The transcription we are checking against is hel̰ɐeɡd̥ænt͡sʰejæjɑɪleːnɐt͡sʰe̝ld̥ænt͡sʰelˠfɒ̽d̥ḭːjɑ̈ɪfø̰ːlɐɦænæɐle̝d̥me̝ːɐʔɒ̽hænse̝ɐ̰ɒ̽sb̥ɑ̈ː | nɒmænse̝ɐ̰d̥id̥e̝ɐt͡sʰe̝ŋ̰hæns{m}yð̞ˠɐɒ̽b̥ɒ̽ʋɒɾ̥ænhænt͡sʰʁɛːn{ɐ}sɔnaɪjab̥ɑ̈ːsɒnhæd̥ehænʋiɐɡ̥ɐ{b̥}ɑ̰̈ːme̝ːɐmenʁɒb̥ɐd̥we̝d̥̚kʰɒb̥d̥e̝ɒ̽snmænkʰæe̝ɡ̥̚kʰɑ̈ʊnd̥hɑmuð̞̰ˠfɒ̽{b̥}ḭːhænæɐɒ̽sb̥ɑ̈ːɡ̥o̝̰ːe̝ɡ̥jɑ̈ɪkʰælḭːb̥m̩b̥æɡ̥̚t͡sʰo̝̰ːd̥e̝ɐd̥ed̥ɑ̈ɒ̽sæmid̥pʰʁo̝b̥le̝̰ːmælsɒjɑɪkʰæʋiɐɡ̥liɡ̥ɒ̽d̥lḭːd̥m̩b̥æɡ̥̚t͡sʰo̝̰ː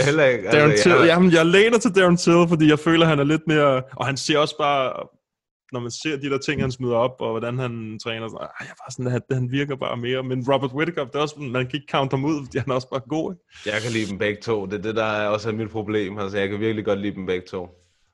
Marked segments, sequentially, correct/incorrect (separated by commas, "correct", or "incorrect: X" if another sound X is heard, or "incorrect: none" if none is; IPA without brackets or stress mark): correct, correct, correct, incorrect: d̥